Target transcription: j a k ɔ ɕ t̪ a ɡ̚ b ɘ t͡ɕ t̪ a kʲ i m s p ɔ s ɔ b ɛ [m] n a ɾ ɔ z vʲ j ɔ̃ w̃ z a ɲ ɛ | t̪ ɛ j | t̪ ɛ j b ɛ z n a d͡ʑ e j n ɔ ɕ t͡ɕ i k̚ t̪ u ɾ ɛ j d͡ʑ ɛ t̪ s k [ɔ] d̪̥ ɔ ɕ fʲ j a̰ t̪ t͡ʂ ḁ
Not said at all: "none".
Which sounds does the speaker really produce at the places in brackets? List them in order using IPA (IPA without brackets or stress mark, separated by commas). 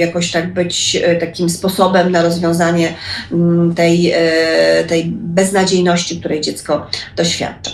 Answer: m, ɔ